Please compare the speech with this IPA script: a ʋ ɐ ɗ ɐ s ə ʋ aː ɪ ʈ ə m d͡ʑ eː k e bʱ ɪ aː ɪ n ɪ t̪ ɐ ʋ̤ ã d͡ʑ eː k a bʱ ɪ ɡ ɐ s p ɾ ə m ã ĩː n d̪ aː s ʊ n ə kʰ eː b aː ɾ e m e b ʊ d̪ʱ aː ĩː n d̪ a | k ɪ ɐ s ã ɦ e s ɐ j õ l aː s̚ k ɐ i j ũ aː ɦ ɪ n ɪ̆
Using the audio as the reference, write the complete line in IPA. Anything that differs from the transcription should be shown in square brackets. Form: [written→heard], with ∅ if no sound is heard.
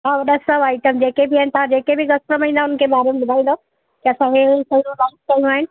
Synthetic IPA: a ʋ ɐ ɗ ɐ s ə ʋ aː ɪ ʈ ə m d͡ʑ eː k e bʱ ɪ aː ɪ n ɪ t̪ ɐ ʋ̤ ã d͡ʑ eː k [a→e] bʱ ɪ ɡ ɐ s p ɾ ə m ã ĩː n d̪ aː [s→∅] ʊ n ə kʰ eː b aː ɾ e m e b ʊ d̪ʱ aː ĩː n d̪ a | k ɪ ɐ s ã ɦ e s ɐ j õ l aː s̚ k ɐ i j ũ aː ɦ ɪ n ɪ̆